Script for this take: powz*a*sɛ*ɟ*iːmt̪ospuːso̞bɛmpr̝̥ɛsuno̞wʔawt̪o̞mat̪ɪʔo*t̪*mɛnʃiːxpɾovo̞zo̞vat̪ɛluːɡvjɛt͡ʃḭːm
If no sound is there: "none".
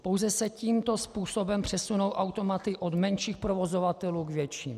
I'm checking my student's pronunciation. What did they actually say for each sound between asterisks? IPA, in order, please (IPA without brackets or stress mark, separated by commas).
ɛ, c, d̪